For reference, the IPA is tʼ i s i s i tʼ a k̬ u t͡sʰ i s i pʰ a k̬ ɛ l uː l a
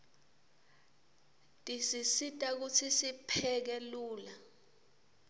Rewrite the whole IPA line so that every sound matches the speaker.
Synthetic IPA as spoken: tʼ i s i s i tʼ a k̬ u t͡sʰ i s i pʰ ɛ k̬ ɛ l uː l a